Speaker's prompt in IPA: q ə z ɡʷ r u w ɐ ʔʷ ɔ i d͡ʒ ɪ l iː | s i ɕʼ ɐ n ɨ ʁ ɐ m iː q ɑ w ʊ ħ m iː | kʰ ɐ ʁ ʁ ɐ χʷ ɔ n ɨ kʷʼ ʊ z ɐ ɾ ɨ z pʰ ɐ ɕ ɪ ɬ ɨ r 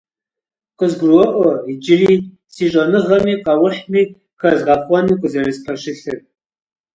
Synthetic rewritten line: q ə z ɡʷ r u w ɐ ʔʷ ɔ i d͡ʒ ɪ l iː | s i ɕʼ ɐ n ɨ ʁ ɐ m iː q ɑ w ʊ ħ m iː | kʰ ɐ z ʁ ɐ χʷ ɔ n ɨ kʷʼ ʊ z ɐ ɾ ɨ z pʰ ɐ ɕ ɪ ɬ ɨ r